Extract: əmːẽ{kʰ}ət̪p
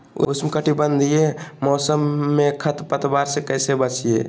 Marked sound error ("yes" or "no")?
no